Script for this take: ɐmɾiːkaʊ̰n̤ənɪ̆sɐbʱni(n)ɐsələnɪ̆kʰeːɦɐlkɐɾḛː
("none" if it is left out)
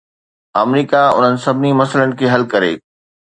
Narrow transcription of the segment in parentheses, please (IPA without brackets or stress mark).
m